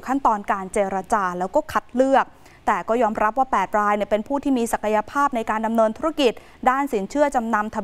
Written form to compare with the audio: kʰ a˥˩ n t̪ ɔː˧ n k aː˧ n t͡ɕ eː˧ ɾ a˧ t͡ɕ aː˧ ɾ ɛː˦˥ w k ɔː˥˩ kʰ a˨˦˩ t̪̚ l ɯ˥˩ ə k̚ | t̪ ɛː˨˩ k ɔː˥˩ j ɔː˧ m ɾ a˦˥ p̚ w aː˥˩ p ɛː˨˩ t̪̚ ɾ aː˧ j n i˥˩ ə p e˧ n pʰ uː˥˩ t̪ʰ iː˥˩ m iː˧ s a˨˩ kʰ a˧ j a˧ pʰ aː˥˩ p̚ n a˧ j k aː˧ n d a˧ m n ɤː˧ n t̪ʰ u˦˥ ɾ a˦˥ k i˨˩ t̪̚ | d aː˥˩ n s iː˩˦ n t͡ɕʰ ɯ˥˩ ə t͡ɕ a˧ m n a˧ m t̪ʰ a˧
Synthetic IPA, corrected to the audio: kʰ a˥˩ n t̪ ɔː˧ n k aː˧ n t͡ɕ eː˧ ɾ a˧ t͡ɕ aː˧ l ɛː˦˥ w k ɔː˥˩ kʰ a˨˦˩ t̪̚ l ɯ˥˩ ə k̚ | t̪ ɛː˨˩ k ɔː˥˩ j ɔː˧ m ɾ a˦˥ p̚ w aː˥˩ p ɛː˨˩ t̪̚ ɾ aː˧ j n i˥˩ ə p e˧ n pʰ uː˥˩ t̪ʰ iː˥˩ m iː˧ s a˨˩ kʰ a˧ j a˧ pʰ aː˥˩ p̚ n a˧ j k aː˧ n d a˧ m n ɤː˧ n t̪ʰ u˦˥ ɾ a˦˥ k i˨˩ t̪̚ | d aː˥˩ n s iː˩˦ n t͡ɕʰ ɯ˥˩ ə t͡ɕ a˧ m n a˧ m t̪ʰ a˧